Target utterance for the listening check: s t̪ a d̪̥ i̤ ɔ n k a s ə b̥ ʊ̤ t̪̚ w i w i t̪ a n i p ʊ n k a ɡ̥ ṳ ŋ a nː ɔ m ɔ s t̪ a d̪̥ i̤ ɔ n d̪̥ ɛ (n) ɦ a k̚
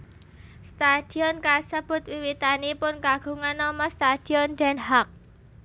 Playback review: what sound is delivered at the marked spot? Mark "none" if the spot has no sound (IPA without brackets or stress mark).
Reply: n